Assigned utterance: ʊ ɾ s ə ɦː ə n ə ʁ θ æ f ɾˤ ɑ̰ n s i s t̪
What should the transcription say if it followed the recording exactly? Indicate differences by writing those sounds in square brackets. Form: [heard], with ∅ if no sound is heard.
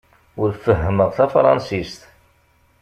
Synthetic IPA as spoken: ʊ ɾ [f] ə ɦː ə [m] ə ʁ θ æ f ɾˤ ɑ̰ n s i s t̪